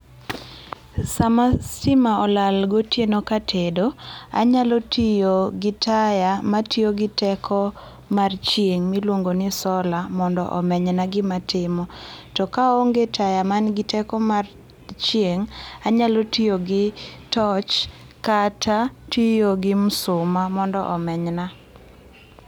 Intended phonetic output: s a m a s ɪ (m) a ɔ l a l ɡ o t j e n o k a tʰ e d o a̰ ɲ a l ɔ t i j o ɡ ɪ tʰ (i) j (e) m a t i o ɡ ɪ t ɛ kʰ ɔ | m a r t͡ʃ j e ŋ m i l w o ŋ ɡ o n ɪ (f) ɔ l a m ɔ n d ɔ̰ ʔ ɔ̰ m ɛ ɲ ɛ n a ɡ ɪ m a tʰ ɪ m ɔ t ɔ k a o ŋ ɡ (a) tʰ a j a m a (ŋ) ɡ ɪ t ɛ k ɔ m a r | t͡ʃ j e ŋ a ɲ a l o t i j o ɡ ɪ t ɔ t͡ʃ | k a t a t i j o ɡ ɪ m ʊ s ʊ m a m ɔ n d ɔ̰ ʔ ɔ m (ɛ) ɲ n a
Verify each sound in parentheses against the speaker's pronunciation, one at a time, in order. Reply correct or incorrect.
correct, incorrect, incorrect, incorrect, incorrect, incorrect, correct

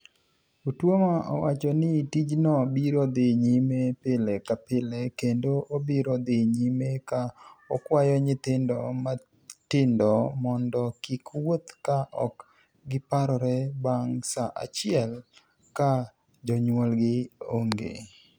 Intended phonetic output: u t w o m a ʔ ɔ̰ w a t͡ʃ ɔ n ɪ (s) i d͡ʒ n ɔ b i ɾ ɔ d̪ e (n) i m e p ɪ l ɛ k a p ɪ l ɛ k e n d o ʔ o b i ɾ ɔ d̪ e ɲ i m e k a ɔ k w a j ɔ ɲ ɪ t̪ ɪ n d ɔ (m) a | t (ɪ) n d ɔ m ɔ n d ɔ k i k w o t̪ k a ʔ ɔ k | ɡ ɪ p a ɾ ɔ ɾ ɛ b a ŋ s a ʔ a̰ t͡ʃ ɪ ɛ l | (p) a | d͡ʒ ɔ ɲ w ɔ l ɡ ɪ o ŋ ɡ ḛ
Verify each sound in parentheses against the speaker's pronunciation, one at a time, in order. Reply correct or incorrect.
incorrect, incorrect, correct, correct, incorrect

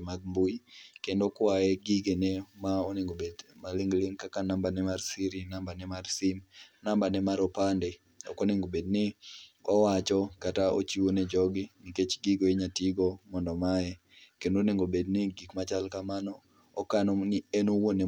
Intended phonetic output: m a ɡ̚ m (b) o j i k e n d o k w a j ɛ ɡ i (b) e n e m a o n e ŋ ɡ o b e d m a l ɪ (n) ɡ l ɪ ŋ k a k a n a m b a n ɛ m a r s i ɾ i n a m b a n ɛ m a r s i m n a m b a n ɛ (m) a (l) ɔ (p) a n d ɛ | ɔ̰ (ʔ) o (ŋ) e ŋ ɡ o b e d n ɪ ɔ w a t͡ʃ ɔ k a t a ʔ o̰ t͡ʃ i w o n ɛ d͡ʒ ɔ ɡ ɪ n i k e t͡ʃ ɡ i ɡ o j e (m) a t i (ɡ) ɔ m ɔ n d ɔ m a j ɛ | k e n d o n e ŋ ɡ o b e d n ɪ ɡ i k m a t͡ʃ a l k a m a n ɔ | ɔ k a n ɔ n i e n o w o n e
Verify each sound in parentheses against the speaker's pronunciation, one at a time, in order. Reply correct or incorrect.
correct, incorrect, incorrect, correct, incorrect, correct, incorrect, incorrect, incorrect, correct

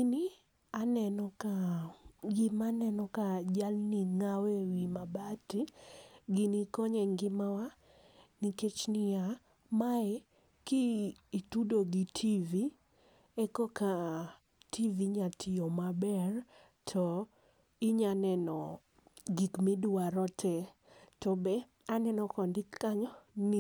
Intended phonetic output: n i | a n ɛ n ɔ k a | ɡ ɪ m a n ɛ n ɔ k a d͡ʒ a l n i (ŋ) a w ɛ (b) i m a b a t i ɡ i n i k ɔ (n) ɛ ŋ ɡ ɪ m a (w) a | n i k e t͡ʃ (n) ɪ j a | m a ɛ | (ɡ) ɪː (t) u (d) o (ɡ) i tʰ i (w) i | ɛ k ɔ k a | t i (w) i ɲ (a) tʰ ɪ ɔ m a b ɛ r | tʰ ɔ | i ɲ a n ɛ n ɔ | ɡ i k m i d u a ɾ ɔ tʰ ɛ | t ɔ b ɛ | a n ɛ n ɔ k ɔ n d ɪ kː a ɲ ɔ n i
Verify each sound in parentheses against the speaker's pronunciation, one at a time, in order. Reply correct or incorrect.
correct, incorrect, incorrect, correct, correct, incorrect, correct, correct, correct, incorrect, incorrect, correct

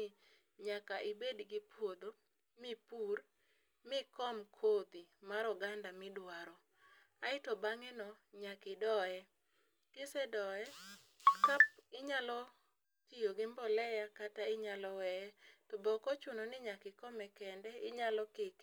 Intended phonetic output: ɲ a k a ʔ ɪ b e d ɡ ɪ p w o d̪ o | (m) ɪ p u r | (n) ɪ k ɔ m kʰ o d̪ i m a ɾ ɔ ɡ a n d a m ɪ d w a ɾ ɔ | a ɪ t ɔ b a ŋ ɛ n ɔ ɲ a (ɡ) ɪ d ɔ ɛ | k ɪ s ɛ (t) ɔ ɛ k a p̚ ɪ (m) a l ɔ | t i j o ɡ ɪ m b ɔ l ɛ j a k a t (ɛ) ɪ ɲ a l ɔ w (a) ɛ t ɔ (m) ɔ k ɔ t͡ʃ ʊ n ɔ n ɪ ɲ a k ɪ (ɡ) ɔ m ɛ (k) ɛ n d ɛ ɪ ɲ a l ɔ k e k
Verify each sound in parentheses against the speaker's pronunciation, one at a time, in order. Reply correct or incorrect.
correct, incorrect, incorrect, incorrect, incorrect, incorrect, incorrect, incorrect, incorrect, correct

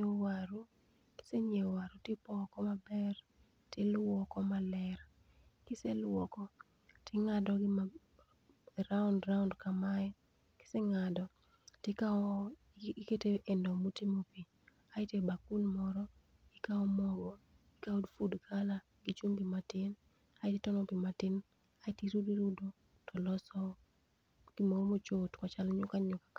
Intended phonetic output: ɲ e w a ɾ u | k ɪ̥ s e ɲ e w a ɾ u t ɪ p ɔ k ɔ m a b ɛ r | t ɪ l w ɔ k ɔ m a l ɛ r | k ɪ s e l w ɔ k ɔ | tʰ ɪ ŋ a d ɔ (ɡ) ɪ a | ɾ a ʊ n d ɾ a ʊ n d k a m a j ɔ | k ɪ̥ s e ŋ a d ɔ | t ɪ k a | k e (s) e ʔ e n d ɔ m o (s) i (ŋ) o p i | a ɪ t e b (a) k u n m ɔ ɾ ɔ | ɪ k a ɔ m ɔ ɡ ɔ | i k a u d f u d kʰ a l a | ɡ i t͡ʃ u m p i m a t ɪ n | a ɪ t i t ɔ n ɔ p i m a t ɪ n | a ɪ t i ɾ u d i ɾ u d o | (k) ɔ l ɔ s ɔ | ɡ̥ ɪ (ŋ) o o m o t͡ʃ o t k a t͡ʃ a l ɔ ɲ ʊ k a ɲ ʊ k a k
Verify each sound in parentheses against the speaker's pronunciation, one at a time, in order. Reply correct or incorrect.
correct, incorrect, incorrect, incorrect, correct, incorrect, incorrect

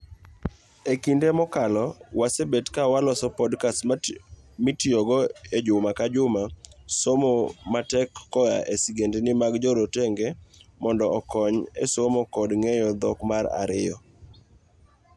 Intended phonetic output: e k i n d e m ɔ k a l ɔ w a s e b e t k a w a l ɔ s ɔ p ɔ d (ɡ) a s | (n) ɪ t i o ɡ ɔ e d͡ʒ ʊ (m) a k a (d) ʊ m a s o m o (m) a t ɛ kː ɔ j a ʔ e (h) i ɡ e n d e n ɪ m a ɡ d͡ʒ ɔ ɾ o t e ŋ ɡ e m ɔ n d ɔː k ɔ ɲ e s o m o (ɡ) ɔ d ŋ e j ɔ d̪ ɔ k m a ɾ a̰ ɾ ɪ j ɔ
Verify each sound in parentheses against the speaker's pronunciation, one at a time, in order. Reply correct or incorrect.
incorrect, incorrect, correct, incorrect, correct, incorrect, incorrect

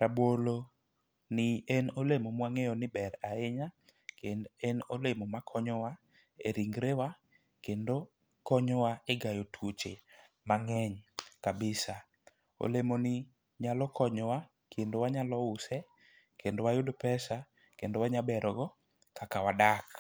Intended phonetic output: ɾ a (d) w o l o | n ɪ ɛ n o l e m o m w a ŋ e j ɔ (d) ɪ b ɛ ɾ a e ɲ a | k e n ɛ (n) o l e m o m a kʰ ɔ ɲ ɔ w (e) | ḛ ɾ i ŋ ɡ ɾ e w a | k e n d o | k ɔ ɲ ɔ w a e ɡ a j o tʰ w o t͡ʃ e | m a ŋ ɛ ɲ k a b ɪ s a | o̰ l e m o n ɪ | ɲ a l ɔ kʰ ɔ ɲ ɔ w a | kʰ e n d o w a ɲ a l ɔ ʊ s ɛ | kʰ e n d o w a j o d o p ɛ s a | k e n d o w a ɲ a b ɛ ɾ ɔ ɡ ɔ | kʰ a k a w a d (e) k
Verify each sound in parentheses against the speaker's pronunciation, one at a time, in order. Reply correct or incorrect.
incorrect, incorrect, correct, incorrect, incorrect

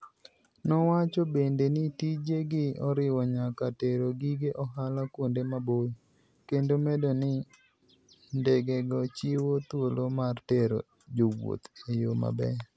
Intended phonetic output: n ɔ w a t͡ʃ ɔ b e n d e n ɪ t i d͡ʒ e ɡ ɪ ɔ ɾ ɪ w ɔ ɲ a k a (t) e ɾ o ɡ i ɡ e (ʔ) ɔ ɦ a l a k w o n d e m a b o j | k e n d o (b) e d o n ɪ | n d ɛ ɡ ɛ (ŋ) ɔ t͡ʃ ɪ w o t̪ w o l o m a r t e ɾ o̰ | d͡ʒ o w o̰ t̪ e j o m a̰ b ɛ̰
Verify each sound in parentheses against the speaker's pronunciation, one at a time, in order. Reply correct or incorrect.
correct, correct, incorrect, incorrect

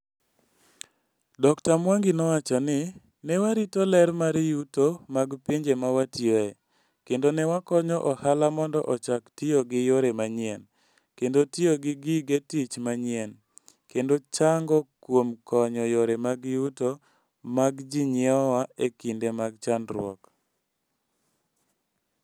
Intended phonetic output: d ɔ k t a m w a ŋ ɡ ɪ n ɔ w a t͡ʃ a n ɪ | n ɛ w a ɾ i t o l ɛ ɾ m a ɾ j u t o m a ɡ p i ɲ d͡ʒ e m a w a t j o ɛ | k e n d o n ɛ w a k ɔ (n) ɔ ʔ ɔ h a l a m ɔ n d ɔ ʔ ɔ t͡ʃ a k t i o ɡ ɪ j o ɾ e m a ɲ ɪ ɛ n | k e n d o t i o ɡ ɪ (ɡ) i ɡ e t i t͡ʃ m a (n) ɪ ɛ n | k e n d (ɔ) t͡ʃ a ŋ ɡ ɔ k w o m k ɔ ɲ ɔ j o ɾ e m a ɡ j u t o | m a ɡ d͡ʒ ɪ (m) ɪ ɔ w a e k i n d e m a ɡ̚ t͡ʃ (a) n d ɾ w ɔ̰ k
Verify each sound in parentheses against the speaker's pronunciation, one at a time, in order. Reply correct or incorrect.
incorrect, correct, incorrect, incorrect, incorrect, correct

